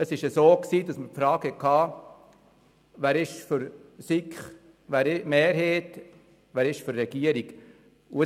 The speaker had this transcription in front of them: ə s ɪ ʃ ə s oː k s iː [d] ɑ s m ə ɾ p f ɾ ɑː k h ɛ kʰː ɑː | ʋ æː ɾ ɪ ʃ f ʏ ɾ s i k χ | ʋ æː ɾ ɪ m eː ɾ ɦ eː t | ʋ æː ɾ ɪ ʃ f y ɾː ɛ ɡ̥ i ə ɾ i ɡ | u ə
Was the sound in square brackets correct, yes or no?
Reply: yes